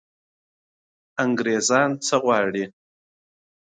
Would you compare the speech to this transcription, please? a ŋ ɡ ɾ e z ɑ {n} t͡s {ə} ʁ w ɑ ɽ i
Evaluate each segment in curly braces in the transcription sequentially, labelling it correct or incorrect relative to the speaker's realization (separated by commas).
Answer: correct, correct